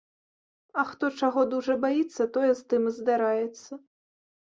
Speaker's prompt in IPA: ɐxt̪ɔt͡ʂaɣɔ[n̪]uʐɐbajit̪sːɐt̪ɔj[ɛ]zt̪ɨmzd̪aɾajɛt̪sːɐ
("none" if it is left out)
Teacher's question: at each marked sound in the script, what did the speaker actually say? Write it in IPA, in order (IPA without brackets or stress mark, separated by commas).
d̪, ɛ